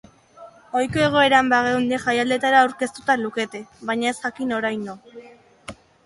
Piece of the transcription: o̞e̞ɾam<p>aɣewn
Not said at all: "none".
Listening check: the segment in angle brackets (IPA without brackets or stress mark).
b